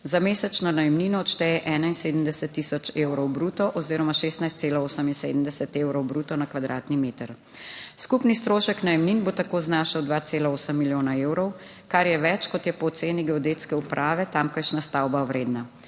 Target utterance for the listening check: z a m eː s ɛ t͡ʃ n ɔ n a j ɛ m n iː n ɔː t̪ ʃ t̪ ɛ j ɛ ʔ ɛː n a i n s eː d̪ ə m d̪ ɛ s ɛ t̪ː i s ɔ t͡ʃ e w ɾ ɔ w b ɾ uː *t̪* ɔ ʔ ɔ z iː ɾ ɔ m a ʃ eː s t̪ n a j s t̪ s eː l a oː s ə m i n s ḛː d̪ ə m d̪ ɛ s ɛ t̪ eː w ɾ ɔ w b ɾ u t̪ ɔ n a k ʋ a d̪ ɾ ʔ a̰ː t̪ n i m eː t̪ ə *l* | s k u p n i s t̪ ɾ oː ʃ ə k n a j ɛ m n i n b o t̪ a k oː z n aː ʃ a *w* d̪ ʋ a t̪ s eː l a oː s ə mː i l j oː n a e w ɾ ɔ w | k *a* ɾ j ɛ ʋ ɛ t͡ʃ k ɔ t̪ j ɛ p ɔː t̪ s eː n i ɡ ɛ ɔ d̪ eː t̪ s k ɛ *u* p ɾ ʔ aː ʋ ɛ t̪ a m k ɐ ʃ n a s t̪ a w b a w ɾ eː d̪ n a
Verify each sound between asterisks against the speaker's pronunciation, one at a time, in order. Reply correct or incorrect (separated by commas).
correct, incorrect, correct, correct, correct